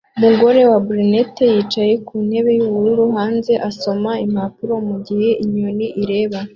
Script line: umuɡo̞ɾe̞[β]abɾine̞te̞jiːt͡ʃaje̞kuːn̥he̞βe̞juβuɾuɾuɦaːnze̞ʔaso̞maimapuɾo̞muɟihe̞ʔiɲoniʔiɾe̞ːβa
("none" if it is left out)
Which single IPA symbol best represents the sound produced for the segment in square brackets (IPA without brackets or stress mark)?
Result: w